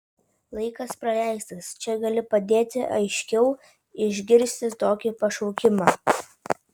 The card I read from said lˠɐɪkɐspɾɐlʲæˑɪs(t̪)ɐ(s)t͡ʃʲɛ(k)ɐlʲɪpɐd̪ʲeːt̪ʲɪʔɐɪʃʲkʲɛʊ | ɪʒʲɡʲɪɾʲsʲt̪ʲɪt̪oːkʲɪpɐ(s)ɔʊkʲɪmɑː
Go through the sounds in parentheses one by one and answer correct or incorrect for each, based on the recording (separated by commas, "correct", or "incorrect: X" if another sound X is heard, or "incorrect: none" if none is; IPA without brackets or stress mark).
correct, correct, incorrect: ɡ, incorrect: ʃ